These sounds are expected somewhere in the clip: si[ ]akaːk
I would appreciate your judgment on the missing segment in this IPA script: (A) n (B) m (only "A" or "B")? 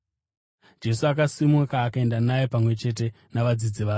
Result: B